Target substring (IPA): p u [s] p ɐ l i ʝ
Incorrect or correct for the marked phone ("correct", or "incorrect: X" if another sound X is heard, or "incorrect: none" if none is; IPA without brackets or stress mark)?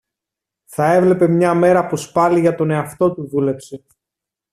correct